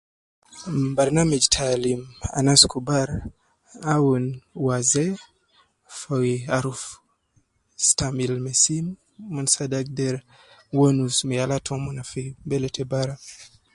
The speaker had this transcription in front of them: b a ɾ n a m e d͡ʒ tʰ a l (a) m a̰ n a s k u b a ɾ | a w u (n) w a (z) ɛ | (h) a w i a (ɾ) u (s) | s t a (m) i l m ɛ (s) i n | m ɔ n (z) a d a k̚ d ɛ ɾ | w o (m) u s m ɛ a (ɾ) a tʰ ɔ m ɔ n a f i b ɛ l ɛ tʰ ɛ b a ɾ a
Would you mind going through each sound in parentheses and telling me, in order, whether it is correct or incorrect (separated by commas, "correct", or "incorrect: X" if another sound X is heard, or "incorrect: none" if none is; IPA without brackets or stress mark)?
incorrect: i, correct, correct, incorrect: f, correct, incorrect: f, correct, correct, incorrect: s, incorrect: n, incorrect: l